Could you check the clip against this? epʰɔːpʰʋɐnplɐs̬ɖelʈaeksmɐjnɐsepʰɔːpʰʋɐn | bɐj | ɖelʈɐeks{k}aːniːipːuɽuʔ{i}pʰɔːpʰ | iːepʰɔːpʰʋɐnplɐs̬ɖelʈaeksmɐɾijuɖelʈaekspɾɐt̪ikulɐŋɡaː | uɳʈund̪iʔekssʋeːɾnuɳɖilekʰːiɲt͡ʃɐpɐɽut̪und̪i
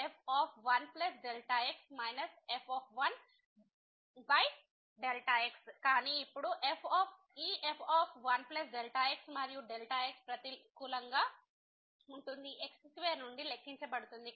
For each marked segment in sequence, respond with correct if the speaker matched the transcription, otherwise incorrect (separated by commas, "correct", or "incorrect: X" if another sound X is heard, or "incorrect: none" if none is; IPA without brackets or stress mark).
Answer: correct, incorrect: e